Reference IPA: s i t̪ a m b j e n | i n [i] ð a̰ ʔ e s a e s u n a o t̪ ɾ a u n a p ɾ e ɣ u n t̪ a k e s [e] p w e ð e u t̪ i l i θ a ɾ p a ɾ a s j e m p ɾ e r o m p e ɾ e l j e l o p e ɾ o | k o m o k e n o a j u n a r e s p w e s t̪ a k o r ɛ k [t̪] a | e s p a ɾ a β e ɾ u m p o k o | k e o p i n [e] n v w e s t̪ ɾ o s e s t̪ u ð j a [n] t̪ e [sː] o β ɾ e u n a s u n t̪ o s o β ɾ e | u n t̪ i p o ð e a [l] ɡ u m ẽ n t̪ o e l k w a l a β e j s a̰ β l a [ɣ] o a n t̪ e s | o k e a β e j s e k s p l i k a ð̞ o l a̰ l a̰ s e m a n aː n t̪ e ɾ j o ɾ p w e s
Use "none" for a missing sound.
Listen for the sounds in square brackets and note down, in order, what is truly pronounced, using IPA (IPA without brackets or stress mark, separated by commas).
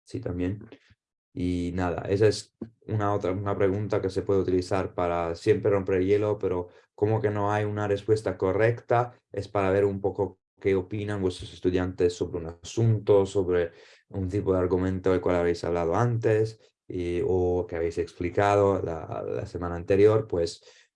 a, e, t̪, a, n, sː, ɾ, ð